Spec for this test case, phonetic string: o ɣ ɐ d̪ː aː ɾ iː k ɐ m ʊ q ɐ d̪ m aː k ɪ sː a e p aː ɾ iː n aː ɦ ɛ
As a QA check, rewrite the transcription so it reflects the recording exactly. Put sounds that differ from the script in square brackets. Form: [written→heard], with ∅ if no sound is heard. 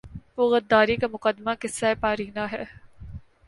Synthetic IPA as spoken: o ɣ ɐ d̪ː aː ɾ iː k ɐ m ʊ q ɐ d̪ m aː k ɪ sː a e p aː ɾ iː n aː ɦ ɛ